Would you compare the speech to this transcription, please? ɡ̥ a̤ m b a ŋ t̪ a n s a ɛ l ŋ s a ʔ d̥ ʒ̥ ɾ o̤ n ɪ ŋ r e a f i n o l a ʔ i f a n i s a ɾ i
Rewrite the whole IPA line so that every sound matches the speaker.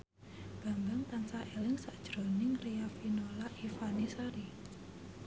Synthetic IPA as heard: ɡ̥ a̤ m b a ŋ t̪ a n s a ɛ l ŋ s a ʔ d̥ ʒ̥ ɾ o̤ n ɪ ŋ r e a f i n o l a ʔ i f a n i s a ɾ i